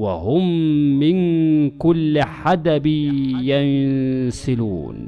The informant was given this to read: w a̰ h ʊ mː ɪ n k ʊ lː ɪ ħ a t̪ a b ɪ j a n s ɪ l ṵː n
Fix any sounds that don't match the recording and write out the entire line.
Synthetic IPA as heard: w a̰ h ʊ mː ɪ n k ʊ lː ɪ ħ a d̪ a b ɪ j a n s ɪ l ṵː n

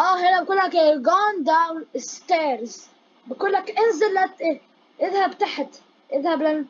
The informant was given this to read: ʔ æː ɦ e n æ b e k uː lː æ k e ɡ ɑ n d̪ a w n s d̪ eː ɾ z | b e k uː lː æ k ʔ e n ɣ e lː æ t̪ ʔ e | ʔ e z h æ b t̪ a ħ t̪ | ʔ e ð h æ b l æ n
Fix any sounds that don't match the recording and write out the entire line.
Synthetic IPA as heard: ʔ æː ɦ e n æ b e k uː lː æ k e ɡ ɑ n d̪ a w n s t̪ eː ɾ z | b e k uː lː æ k ʔ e n z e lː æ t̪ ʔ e | ʔ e ð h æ b t̪ a ħ t̪ | ʔ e ð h æ b l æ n

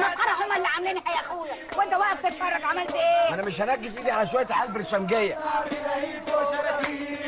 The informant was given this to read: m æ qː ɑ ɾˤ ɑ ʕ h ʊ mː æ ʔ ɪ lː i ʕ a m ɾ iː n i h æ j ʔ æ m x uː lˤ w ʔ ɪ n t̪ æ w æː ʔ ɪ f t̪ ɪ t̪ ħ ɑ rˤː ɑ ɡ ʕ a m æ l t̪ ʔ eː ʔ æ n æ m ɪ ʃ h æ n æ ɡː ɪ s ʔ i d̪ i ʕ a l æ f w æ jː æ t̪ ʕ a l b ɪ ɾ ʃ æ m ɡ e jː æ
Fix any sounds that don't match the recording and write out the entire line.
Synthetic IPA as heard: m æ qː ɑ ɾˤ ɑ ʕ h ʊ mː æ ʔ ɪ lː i ʕ a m l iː n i h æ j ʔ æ x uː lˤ w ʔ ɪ n t̪ æ w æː ʔ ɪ f t̪ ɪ t̪ f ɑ rˤː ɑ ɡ ʕ a m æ l t̪ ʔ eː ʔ æ n æ m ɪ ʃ h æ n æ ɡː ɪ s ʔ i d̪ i ʕ a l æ ʃ w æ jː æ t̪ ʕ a l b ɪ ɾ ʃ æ m ɡ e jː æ

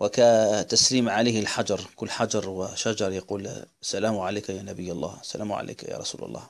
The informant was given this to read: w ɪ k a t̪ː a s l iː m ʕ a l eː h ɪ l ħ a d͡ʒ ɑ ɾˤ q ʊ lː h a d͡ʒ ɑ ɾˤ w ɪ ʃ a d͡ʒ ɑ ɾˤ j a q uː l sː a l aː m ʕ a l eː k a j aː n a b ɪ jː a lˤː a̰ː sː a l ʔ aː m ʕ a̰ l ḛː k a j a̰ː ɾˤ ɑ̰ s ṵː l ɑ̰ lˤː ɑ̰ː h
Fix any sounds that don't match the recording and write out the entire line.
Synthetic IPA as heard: w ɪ k a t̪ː a s l iː m ʕ a l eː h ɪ l ħ a d͡ʒ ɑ ɾˤ k ʊ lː ħ a d͡ʒ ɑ ɾˤ w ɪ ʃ a d͡ʒ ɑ ɾˤ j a q uː l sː a l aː m ʕ a l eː k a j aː n a b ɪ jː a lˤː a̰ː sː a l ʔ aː m ʕ a̰ l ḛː k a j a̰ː ɾˤ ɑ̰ s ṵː l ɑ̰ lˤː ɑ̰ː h

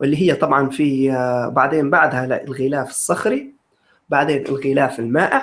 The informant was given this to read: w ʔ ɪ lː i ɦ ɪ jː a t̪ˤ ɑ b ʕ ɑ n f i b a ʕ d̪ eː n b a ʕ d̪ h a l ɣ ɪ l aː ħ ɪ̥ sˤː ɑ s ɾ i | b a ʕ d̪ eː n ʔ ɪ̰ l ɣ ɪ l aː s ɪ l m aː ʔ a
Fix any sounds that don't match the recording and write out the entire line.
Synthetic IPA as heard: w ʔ ɪ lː i ɦ ɪ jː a t̪ˤ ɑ b ʕ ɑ n f i b a ʕ d̪ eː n b a ʕ d̪ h a l ɣ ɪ l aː f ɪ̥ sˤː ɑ x ɾ i | b a ʕ d̪ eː n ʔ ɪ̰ l ɣ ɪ l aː f ɪ l m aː ʔ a

